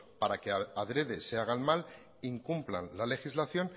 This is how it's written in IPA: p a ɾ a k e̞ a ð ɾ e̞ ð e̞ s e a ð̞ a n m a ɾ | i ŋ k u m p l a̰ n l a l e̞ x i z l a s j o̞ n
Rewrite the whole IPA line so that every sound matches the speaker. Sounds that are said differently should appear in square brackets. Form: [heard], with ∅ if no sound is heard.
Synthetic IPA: p a ɾ a k e̞ a ð ɾ e̞ ð e̞ s e a [ɣ̞] a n m a [l] | i ŋ k u m p l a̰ n l a l e̞ x i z l a [θ] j o̞ n